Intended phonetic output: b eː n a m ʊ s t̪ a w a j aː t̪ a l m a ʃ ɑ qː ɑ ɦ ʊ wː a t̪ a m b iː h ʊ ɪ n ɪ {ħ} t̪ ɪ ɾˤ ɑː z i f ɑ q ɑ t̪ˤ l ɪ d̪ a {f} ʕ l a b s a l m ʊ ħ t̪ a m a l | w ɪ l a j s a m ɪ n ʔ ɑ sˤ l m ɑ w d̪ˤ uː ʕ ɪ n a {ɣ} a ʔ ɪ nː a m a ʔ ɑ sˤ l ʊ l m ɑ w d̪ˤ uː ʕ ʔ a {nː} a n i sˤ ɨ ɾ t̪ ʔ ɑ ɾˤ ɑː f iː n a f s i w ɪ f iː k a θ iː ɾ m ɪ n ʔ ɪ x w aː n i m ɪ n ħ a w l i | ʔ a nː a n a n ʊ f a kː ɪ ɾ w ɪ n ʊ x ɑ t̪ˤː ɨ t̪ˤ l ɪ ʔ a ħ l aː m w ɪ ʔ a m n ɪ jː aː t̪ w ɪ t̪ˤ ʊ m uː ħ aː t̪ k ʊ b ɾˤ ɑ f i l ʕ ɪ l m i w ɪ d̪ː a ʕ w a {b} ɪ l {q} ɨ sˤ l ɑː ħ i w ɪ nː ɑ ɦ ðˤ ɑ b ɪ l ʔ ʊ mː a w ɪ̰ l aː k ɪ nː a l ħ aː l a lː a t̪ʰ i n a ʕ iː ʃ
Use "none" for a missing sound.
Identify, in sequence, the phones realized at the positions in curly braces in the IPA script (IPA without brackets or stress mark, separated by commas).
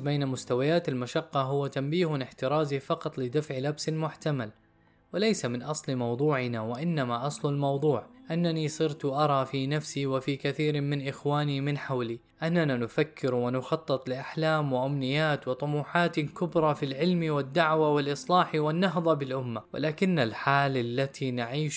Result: ħ, f, w, nː, w, ʔ